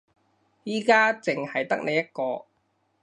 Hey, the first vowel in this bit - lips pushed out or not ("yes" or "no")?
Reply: no